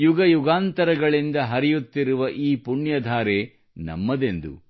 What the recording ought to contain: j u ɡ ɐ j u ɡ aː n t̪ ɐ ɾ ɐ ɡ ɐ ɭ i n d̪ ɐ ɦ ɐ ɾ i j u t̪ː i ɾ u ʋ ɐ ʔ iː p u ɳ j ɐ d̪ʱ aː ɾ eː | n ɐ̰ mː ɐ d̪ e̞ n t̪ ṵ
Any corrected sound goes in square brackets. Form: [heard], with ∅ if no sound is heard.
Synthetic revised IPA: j u ɡ ɐ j u ɡ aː n t̪ ɐ ɾ ɐ ɡ ɐ ɭ i n d̪ ɐ ɦ ɐ ɾ i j u t̪ː i ɾ u ʋ ɐ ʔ iː p u ɳ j ɐ d̪ʱ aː ɾ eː | n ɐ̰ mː ɐ d̪ e̞ n [d̪] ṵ